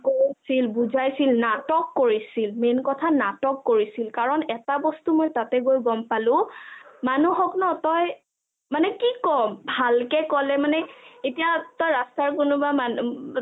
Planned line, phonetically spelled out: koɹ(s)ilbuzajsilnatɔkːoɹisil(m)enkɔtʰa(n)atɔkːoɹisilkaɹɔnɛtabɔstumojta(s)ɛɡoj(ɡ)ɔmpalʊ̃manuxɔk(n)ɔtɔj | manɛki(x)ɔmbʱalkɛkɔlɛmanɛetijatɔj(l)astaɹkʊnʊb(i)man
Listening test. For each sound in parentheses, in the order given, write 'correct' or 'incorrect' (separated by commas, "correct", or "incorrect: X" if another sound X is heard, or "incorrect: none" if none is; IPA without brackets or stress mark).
correct, correct, correct, incorrect: t, correct, correct, incorrect: k, incorrect: ɹ, incorrect: a